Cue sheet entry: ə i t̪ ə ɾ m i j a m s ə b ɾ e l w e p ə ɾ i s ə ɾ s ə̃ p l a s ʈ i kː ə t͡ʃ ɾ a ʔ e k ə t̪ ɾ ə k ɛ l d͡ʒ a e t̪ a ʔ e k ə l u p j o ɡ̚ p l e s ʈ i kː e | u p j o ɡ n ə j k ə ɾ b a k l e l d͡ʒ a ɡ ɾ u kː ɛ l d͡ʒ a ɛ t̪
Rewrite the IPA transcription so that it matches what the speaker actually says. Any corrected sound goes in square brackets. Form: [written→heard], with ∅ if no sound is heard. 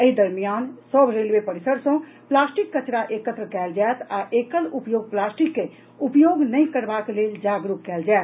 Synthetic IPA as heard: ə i [t̪→d̪] ə ɾ m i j a [m→n] s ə b ɾ e l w e p ə ɾ i s ə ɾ s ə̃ p l a s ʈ i kː ə t͡ʃ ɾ a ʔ e k ə t̪ ɾ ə k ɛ l d͡ʒ a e t̪ a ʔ e k ə l u p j o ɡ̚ p l [e→a] s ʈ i kː e | u p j o ɡ n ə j k ə ɾ b a k l e l d͡ʒ a ɡ ɾ u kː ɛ l d͡ʒ a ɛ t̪